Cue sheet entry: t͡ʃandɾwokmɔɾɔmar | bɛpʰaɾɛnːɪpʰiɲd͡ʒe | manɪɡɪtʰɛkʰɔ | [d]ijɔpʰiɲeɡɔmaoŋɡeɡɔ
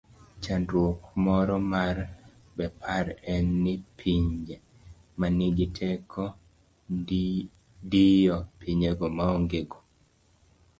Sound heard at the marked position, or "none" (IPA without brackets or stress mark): d